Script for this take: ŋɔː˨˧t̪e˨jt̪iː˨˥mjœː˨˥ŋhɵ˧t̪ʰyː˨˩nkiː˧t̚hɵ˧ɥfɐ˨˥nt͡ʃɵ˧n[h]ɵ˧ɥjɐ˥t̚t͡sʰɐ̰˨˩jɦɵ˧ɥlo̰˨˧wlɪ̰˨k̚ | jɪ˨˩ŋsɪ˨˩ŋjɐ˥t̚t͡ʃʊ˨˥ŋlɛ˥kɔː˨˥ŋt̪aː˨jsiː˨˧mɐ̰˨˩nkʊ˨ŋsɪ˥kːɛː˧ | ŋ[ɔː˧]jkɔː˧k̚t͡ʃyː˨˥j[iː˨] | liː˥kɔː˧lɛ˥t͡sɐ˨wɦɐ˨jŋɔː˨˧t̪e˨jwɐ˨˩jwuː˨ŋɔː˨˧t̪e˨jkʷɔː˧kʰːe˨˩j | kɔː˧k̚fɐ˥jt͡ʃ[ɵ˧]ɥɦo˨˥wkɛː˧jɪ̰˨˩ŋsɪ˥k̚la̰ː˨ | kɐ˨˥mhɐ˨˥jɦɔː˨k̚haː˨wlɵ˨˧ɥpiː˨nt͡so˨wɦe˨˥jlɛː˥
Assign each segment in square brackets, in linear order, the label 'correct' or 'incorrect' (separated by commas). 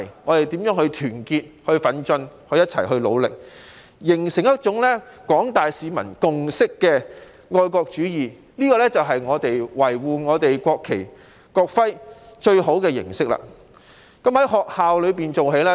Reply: correct, correct, correct, correct